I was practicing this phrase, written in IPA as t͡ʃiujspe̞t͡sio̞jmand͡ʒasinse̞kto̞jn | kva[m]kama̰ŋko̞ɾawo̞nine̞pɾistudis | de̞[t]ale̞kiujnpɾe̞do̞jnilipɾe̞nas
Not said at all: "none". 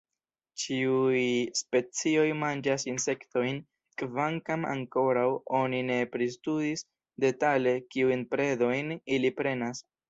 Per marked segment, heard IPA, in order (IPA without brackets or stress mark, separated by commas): ŋ, t